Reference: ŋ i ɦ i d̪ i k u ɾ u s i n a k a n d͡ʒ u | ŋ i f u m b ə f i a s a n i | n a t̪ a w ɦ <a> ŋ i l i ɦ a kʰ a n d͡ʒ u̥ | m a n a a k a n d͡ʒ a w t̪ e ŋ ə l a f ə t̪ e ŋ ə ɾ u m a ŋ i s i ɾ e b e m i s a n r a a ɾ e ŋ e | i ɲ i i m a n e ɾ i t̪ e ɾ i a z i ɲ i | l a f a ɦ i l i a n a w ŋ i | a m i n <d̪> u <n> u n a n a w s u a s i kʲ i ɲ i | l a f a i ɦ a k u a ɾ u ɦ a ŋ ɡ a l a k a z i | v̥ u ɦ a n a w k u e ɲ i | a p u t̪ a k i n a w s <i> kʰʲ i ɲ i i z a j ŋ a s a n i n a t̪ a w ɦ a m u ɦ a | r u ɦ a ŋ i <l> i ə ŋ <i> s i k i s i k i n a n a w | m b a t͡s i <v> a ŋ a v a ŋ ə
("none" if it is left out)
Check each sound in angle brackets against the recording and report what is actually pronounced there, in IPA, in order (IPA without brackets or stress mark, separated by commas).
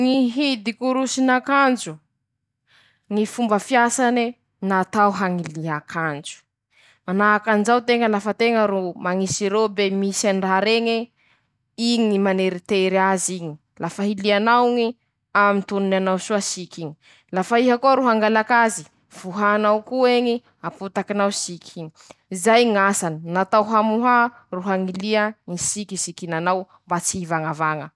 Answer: a, t̪, n, i, l, i, v